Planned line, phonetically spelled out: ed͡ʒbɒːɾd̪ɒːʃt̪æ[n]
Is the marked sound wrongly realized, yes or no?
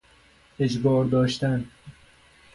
no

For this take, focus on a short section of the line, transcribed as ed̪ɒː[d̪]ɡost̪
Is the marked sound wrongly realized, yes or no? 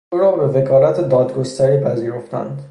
no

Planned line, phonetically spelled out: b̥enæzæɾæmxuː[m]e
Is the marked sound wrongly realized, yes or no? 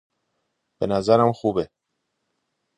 yes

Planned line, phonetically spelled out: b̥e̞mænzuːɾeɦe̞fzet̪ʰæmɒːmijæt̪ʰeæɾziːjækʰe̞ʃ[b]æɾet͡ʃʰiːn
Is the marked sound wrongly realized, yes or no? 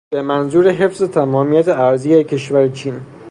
yes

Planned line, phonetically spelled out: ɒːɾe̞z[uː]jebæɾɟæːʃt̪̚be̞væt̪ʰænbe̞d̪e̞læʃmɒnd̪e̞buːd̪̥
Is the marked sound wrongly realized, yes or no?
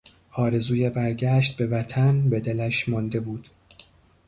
no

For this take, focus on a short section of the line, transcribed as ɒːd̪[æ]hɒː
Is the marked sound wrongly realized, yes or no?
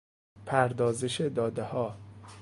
yes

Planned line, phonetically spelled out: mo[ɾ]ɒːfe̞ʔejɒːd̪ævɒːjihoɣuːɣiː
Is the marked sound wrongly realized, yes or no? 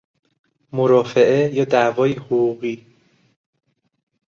no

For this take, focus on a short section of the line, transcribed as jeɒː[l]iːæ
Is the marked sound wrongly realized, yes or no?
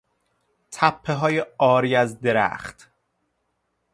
yes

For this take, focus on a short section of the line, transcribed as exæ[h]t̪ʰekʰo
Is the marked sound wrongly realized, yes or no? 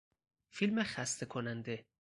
yes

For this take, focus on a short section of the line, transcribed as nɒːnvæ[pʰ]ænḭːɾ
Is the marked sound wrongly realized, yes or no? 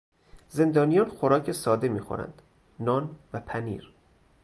no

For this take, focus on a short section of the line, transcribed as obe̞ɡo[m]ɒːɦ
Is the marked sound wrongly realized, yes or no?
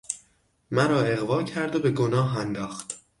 yes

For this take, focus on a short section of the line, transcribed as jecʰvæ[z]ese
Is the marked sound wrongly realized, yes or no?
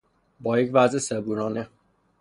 no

